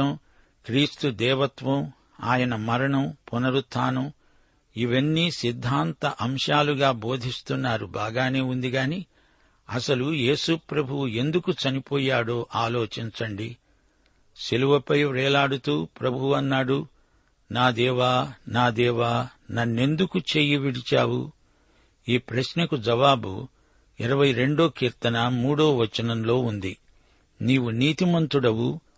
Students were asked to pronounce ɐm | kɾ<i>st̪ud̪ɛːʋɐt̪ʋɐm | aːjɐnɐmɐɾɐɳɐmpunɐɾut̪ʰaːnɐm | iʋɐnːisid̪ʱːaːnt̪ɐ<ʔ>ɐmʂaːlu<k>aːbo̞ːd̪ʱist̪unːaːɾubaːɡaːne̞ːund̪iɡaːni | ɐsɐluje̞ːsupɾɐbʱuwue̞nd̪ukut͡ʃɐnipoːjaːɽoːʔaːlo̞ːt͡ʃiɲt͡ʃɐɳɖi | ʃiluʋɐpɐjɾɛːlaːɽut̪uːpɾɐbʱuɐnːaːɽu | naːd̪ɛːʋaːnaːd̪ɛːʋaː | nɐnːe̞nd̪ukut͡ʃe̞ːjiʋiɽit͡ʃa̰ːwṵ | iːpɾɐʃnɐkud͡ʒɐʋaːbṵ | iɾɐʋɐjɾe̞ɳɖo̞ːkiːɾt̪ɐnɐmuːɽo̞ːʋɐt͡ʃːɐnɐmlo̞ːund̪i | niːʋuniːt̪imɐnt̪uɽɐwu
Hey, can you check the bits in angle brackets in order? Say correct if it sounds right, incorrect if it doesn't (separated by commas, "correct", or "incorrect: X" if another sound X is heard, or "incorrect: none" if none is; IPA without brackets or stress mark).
incorrect: iː, correct, incorrect: ɡ